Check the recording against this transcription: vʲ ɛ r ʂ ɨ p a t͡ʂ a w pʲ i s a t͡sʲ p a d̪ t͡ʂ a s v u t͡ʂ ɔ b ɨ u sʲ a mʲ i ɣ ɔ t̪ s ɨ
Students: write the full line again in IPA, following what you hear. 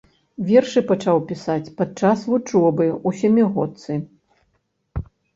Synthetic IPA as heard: vʲ ɛ r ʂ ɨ p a t͡ʂ a w pʲ i s a t͡sʲ p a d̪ t͡ʂ a s v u t͡ʂ ɔ b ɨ u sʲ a mʲ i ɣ ɔ t̪ s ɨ